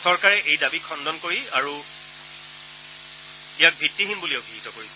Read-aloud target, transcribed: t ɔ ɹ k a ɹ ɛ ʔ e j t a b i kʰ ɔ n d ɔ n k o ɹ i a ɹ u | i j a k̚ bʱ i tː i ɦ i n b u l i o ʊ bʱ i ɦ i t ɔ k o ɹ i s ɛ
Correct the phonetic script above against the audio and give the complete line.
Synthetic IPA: s ɔ ɹ k a ɹ ɛ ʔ e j d a b i kʰ ɔ n d ɔ n k o ɹ i a ɹ u | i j a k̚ bʱ i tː i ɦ i n b u l i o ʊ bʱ i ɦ i t ɔ k o ɹ i s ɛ